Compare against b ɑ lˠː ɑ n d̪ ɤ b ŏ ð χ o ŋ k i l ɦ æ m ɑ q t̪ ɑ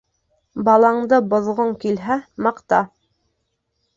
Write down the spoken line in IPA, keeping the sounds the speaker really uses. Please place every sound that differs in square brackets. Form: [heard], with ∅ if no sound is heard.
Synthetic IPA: b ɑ [lˠ] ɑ [ɴ] d̪ ɤ b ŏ ð [ʁ] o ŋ k i l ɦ æ m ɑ q t̪ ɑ